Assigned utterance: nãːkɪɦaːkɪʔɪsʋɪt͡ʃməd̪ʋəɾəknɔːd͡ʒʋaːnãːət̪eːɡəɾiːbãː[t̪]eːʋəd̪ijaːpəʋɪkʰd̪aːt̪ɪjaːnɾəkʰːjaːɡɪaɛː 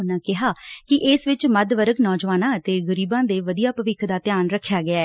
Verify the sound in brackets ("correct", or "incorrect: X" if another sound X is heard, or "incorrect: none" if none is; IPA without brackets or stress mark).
incorrect: d̪